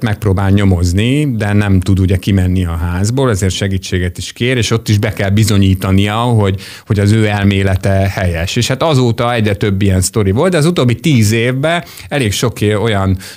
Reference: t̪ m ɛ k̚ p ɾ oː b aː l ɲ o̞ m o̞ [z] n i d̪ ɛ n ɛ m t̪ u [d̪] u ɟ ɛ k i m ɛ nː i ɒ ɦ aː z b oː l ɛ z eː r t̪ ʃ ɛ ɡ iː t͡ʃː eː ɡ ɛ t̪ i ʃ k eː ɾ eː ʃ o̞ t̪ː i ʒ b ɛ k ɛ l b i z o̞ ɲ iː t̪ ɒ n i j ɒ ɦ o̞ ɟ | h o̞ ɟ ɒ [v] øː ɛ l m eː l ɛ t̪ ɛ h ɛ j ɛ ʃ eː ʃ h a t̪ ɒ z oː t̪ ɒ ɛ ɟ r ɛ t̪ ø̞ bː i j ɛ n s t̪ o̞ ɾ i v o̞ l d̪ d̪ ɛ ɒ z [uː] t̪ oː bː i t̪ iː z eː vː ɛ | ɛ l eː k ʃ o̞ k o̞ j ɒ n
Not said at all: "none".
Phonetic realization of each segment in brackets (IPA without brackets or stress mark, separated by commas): z, d̪, z, u